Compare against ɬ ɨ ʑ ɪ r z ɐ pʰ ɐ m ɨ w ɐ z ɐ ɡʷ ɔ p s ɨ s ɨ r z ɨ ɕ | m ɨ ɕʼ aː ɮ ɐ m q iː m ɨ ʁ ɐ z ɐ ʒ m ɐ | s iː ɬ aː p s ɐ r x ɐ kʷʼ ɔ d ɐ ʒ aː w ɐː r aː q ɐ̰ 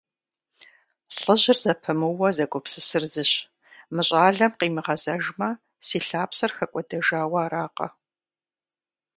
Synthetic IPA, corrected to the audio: ɬ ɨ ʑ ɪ r z ɐ pʰ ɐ m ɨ w ɐ z ɐ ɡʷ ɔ p s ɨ s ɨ r z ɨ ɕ | m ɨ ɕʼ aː ɮ ɐ m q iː m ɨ ʁ ɐ z ɐ ʒ m ɐ | s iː ɬ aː p s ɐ r x ɐ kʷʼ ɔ d ɐ ʒ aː w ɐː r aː q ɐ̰